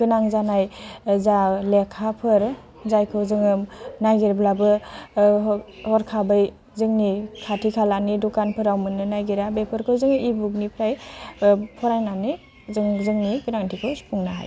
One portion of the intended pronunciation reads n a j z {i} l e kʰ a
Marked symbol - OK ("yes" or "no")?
no